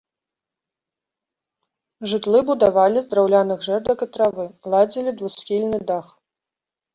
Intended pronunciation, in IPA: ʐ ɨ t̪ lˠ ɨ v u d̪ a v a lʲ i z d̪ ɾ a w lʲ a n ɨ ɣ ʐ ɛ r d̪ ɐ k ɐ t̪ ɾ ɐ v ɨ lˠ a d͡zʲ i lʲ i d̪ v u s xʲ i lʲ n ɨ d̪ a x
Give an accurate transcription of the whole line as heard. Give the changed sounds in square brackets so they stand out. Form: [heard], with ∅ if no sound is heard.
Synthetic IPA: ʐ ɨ t̪ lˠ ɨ [b] u d̪ a v a lʲ i z d̪ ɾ a w lʲ a n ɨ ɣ ʐ ɛ r d̪ ɐ k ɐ t̪ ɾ [a] v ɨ lˠ a d͡zʲ i lʲ i d̪ v u s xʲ i lʲ n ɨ d̪ a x